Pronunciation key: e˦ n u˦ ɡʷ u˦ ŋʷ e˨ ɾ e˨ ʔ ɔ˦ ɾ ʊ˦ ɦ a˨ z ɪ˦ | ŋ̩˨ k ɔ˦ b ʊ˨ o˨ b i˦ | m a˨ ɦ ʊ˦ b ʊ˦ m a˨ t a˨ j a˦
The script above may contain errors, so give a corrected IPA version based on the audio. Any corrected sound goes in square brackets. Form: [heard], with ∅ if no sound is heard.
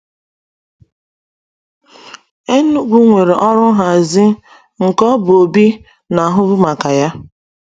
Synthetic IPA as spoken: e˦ n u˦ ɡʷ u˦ ŋʷ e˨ ɾ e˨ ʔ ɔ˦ ɾ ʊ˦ ɦ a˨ z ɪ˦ | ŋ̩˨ k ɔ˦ b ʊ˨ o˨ b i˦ | [n] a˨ ɦ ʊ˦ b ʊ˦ m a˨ [k] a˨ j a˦